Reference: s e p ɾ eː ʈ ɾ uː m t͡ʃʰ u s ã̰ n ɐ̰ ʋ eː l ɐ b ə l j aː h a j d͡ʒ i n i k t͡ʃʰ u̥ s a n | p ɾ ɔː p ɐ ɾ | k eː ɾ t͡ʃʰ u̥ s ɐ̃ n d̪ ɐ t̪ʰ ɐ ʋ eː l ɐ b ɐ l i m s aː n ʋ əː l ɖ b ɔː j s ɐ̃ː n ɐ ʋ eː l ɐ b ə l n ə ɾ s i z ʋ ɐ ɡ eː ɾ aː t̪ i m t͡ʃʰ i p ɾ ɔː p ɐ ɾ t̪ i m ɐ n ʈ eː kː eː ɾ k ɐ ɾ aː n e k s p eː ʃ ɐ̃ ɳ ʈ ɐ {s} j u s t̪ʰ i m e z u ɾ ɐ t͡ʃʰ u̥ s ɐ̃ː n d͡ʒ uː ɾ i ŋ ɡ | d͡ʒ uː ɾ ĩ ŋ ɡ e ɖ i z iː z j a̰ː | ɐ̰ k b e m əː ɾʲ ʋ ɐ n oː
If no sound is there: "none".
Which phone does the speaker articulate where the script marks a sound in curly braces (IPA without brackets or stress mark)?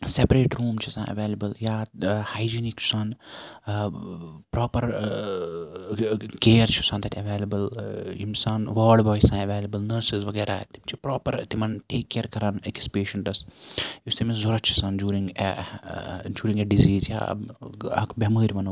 s